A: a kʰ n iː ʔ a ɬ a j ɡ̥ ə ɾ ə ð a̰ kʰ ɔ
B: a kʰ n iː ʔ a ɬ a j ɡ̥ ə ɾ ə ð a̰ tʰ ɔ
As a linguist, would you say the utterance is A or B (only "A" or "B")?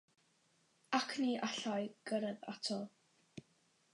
B